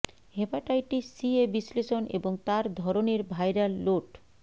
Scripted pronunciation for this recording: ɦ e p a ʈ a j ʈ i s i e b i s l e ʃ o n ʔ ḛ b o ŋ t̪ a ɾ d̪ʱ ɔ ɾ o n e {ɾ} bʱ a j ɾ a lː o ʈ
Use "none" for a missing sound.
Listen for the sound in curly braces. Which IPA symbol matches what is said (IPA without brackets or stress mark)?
ɾ